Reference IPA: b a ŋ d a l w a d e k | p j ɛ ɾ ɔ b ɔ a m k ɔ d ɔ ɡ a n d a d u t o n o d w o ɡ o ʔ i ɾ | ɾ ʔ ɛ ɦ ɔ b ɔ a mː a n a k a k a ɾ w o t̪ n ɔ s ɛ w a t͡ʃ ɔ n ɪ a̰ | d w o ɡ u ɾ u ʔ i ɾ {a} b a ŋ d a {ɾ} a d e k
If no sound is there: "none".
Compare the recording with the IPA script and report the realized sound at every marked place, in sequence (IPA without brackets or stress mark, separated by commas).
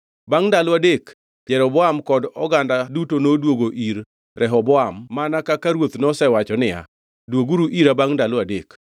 a, l